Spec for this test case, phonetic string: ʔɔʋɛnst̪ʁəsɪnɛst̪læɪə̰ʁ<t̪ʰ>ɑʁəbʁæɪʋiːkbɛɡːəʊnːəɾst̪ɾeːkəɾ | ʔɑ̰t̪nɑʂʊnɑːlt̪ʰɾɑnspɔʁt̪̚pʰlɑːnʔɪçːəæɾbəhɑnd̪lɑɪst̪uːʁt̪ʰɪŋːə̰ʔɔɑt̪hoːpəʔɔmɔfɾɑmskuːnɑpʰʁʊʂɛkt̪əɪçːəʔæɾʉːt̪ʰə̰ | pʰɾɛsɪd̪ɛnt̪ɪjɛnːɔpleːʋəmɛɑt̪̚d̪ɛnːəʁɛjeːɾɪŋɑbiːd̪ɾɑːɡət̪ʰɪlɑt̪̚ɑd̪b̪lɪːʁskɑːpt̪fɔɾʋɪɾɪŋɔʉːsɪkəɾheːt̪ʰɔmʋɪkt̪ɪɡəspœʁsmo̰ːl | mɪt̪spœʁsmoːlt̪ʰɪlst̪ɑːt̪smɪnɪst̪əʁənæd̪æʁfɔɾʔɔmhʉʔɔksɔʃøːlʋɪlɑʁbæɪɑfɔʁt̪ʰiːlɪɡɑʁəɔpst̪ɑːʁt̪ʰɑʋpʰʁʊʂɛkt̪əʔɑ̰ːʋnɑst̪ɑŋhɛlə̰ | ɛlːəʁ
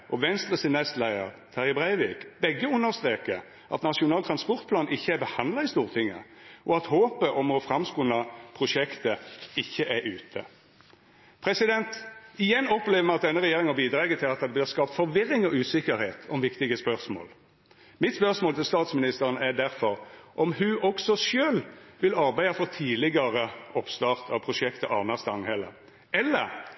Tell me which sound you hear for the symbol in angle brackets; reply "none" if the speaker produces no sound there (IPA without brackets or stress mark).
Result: t̪ʰ